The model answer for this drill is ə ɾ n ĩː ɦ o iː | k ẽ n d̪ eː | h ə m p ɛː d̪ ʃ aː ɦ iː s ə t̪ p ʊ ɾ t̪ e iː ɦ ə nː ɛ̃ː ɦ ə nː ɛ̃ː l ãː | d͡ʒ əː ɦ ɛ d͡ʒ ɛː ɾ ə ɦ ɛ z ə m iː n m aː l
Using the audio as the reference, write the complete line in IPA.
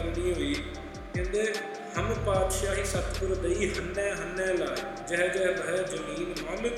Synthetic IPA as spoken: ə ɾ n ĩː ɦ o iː | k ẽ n d̪ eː | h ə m p aː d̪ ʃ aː ɦ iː s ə t̪ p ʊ ɾ d̪ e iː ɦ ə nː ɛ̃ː ɦ ə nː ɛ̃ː l aː | d͡ʒ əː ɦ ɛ d͡ʒ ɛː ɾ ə ɦ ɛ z ə m iː n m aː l